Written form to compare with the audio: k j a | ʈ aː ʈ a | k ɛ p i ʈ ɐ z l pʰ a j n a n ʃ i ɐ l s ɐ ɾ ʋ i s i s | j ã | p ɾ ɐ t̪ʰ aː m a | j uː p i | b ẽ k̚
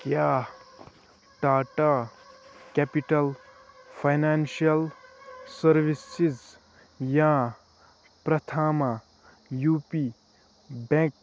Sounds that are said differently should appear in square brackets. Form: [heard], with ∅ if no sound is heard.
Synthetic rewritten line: k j a | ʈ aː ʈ a | k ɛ p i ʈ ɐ [∅] l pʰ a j n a n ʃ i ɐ l s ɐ ɾ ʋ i s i [z] | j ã | p ɾ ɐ t̪ʰ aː m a | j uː p i | b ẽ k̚